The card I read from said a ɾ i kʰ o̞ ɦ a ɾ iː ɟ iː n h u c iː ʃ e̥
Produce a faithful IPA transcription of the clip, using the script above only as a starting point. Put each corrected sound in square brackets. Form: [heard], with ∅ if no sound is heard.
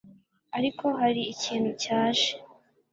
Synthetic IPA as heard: a ɾ i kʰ o̞ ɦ a ɾ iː [c] iː n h u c [aː] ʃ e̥